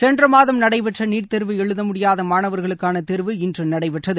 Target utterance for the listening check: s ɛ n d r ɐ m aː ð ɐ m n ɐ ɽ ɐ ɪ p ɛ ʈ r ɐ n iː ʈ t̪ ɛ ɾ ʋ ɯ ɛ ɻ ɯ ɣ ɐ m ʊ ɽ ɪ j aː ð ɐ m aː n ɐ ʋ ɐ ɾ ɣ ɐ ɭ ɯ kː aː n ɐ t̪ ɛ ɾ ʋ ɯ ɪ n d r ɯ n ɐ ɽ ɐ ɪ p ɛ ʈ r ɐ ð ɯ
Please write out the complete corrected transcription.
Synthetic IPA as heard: s ɛ n d r ɐ m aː ð ɐ m n ɐ ɽ ɐ ɪ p ɛ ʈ r ɐ n iː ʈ t̪ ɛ ɾ ʋ ɯ ɛ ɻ ɯ ð ɐ m ʊ ɽ ɪ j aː ð ɐ m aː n ɐ ʋ ɐ ɾ ɣ ɐ ɭ ɯ kː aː n ɐ t̪ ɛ ɾ ʋ ɯ ɪ n d r ɯ n ɐ ɽ ɐ ɪ p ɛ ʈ r ɐ ð ɯ